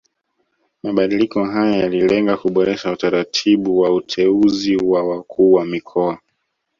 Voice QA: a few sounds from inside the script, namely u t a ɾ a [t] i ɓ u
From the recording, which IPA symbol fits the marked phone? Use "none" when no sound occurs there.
tʰ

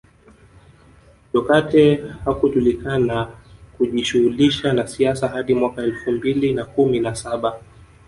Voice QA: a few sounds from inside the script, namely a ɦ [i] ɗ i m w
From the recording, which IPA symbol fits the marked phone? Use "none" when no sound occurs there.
a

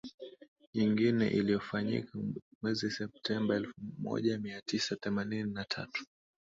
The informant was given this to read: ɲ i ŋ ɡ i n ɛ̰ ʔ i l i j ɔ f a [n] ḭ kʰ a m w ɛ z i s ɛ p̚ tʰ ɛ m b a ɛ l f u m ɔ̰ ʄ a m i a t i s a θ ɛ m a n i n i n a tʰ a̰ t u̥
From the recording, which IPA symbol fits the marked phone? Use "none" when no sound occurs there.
ɲ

